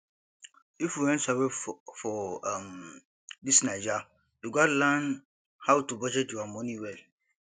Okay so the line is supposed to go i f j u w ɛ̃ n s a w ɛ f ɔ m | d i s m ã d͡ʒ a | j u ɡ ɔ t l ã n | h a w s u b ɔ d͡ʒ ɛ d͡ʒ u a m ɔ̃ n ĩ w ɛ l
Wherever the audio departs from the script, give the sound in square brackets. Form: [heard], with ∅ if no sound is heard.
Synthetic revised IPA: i f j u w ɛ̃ n s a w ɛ f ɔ m | d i s [n] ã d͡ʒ a | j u ɡ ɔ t l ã n | h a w [t] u b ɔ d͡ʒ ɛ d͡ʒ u a m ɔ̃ n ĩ w ɛ l